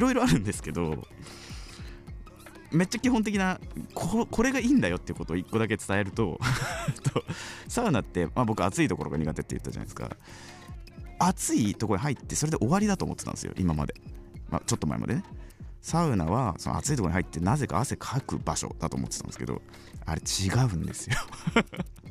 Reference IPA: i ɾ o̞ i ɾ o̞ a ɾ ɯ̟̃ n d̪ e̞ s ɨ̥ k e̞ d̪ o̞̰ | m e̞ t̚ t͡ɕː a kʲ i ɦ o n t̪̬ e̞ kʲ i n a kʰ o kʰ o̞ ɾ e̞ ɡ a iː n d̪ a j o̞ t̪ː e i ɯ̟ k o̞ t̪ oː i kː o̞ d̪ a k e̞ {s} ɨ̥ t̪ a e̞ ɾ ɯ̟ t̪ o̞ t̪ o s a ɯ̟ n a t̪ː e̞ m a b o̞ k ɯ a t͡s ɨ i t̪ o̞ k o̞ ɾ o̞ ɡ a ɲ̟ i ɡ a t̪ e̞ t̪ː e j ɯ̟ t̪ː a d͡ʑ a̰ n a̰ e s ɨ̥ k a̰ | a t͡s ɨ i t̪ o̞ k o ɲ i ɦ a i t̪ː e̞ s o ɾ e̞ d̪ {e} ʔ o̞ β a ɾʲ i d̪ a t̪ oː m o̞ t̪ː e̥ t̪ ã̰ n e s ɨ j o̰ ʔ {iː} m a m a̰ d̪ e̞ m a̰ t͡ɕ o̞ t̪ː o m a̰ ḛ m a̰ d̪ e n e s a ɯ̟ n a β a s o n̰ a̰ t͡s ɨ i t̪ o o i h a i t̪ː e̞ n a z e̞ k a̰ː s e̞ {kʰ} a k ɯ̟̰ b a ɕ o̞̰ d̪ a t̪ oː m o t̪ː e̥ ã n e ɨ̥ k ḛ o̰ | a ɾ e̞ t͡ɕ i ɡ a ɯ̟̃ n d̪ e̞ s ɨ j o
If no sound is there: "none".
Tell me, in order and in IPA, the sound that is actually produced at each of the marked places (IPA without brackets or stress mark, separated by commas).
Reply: t͡s, e, i, kʰ